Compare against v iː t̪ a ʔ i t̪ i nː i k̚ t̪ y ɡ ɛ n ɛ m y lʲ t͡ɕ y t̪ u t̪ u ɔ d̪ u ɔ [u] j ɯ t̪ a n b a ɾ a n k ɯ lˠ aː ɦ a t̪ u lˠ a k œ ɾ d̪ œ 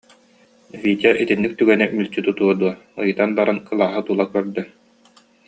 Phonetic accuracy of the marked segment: incorrect: ɯ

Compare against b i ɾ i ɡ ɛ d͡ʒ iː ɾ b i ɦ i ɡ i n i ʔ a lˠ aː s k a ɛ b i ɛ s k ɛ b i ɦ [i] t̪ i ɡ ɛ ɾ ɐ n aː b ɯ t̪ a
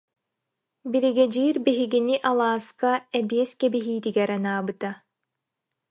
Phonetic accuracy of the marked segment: incorrect: iː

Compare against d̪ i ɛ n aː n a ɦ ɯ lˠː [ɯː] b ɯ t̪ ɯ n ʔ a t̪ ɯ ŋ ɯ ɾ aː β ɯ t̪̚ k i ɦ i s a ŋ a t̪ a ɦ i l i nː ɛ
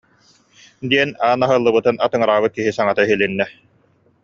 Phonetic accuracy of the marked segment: incorrect: ɯ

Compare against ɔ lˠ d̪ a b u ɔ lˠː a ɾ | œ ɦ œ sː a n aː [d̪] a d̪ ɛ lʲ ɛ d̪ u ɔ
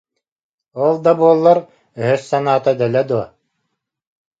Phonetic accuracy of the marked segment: incorrect: t̪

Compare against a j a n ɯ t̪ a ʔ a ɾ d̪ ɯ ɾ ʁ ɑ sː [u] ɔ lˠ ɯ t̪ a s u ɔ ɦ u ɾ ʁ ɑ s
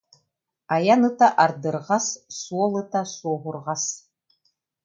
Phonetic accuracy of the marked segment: correct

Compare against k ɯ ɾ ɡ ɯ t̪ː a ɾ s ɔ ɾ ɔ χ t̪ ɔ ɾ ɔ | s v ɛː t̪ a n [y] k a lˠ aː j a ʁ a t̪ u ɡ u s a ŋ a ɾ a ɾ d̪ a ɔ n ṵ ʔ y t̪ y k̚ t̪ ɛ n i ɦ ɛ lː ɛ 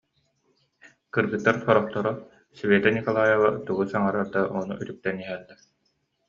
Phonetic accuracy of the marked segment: incorrect: i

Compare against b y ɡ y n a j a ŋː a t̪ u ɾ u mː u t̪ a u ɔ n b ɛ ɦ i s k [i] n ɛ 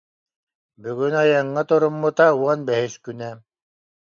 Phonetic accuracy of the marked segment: incorrect: y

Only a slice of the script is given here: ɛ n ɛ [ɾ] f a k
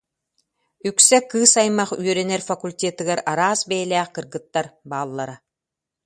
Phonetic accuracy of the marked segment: correct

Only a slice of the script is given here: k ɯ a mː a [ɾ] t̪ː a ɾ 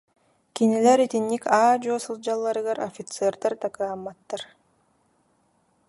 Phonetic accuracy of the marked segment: incorrect: none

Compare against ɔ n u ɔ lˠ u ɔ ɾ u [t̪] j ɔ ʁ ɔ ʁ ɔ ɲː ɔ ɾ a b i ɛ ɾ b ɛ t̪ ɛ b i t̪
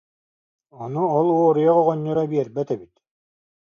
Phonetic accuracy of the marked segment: incorrect: none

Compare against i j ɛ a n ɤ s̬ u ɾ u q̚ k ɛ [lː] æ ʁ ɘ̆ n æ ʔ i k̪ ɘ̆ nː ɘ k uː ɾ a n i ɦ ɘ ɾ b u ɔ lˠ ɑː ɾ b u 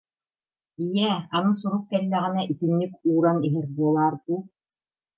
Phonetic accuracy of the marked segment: correct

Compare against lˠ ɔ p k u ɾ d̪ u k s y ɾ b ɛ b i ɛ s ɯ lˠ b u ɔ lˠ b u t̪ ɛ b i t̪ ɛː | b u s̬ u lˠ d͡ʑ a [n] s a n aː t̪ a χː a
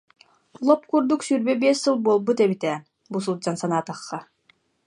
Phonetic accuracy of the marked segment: correct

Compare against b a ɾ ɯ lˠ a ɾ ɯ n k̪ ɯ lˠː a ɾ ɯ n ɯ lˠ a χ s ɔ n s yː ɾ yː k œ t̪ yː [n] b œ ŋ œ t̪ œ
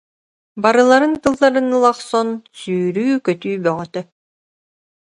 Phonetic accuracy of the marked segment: incorrect: none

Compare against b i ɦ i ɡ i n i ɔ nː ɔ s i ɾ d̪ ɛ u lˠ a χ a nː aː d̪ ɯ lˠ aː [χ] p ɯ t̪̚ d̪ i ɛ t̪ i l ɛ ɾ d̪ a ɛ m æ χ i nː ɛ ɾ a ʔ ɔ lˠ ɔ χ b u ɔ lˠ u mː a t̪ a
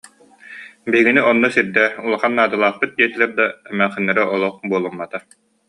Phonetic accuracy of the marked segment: correct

